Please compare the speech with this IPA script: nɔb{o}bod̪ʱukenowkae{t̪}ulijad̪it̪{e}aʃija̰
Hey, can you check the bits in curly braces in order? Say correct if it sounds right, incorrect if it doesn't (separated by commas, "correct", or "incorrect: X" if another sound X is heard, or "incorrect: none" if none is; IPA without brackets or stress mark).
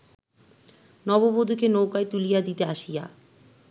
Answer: correct, correct, correct